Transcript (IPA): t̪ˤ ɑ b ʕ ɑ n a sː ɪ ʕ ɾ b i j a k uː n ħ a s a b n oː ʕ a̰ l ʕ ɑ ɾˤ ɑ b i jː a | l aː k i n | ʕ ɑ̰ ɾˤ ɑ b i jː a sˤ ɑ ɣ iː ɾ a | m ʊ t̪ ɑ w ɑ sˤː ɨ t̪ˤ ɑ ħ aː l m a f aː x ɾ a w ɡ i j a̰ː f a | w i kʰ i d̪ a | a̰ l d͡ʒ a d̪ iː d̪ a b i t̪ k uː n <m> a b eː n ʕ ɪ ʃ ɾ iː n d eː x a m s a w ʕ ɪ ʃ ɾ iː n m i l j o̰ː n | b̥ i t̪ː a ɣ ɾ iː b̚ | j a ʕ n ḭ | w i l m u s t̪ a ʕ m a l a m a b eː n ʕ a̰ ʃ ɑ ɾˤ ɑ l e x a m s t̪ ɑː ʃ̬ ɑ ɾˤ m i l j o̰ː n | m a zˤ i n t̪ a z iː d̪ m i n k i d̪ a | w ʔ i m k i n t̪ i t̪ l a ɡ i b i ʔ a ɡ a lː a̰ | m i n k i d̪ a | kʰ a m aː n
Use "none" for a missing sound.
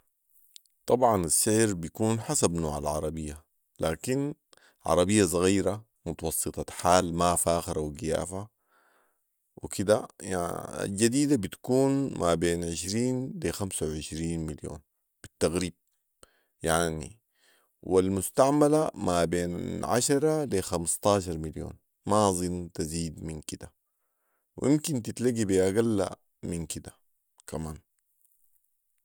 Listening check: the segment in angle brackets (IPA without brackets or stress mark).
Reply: m